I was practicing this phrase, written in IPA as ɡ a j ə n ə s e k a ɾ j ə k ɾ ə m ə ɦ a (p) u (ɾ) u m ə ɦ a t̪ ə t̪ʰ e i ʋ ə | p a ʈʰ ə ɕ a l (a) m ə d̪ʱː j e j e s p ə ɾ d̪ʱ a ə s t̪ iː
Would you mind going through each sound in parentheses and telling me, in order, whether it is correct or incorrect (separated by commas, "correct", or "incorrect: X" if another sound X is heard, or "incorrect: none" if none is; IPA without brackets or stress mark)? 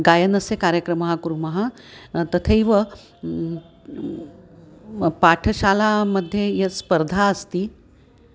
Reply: incorrect: k, correct, correct